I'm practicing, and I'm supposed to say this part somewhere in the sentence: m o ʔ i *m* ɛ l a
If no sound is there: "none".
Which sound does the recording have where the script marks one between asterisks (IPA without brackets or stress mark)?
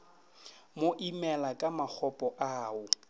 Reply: m